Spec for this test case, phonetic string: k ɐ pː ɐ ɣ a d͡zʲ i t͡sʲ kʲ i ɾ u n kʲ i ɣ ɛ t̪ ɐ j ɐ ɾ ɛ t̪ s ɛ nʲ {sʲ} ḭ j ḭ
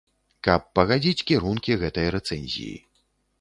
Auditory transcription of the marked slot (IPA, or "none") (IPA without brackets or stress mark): zʲ